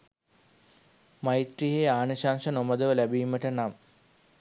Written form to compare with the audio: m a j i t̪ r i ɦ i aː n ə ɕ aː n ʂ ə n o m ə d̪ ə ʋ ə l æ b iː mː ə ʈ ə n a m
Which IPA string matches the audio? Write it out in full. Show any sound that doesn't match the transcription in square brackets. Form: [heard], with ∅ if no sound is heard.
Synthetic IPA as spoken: m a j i t̪ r i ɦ [e] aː n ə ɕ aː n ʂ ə n o m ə d̪ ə ʋ ə l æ b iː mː ə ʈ ə n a m